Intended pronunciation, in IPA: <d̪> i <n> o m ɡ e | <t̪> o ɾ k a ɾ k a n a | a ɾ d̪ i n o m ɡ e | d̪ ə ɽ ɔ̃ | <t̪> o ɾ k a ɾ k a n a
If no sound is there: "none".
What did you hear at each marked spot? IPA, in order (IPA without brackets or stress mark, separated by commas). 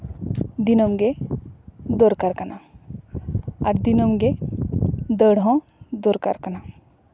d̪, n, d̪, d̪